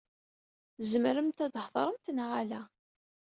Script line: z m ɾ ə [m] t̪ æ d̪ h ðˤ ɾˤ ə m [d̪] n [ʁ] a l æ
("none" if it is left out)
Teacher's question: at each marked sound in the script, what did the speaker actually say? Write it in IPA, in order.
m, t̪, ʁ

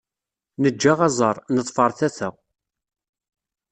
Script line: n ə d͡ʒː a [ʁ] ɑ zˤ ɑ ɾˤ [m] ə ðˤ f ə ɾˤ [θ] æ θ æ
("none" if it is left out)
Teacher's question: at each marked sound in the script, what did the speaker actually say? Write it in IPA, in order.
ʁ, n, θ

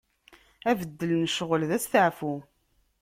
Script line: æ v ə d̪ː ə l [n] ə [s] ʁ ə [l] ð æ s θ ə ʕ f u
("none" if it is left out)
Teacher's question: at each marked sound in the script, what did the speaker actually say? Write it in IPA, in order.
n, ʃ, l

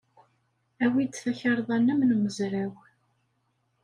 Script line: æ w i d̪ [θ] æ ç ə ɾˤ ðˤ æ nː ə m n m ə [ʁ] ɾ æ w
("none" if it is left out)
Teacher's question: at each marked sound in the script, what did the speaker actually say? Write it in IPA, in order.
θ, z

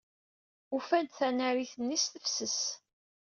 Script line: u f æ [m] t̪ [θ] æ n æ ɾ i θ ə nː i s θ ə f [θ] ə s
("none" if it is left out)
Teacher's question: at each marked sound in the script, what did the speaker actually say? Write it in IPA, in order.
n, θ, s

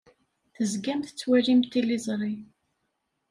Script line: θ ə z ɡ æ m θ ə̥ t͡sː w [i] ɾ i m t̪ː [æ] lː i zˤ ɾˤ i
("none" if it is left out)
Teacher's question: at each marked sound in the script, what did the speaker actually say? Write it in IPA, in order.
æ, i

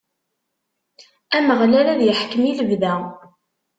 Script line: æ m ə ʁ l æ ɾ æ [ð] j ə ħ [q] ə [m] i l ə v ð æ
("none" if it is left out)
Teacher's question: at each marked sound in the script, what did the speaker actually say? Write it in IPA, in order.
ð, k, m

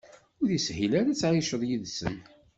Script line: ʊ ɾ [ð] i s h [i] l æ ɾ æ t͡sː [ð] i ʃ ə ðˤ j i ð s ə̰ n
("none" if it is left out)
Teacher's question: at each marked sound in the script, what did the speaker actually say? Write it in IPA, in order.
ð, i, ʕ

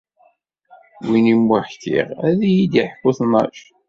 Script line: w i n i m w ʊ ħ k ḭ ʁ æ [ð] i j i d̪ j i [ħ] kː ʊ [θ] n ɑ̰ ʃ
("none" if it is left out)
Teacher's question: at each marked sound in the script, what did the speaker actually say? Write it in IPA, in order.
ð, ħ, θ

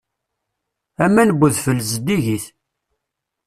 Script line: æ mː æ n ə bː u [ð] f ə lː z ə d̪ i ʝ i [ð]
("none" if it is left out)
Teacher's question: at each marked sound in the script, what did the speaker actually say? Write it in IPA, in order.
ð, θ

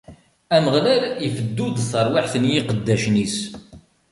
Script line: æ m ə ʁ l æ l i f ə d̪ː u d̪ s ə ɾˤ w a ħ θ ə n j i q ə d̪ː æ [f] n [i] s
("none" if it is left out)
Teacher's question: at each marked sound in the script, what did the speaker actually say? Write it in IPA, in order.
ʃ, i

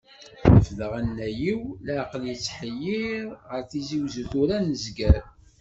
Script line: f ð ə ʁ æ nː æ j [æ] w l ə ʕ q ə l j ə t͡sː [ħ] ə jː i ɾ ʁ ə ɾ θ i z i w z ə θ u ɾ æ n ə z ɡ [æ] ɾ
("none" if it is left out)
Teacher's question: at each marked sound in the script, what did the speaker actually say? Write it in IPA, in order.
i, ħ, æ

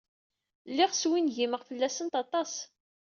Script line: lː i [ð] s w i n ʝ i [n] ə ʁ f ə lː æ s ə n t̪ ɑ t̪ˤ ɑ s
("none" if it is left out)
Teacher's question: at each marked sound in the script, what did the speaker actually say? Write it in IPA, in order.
ʁ, m

